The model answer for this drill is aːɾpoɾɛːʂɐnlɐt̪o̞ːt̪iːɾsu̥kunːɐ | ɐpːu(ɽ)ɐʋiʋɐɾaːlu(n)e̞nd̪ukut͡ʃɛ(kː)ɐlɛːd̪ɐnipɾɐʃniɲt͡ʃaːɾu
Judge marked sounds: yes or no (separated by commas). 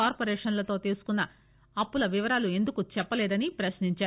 no, no, no